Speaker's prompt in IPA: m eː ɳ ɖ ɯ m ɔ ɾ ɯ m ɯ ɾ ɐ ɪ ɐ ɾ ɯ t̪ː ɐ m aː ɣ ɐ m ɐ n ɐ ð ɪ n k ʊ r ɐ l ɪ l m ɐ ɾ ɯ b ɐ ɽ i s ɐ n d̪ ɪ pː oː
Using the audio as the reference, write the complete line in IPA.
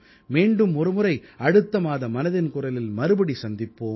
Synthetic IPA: m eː ɳ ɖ ɯ m ɔ ɾ ɯ m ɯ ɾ ɐ ɪ ɐ ɽ ɯ t̪ː ɐ m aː ð ɐ m ɐ n ɐ ð ɪ n k ʊ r ɐ l ɪ l m ɐ ɾ ɯ b ɐ ɽ i s ɐ n d̪ ɪ pː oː